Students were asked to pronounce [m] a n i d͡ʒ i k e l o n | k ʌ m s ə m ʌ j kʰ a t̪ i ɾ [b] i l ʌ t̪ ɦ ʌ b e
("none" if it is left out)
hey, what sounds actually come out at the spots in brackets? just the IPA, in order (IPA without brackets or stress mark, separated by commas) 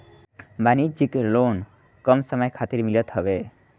b, m